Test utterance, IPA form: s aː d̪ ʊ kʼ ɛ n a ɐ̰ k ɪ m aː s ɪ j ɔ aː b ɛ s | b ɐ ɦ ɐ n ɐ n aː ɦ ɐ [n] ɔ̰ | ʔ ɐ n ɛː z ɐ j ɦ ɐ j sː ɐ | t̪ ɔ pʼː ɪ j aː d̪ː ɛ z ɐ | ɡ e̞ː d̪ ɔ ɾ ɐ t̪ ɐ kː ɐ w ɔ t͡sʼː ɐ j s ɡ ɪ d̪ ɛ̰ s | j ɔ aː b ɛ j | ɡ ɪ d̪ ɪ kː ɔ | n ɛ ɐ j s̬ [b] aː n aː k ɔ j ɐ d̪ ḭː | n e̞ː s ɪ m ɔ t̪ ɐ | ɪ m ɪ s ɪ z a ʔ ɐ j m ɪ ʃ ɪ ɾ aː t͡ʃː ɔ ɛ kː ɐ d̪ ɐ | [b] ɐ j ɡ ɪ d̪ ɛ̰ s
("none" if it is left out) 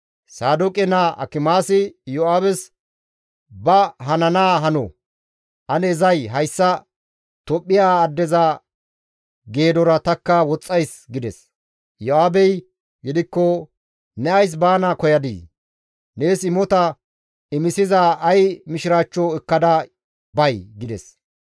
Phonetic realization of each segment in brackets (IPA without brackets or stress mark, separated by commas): n, b, b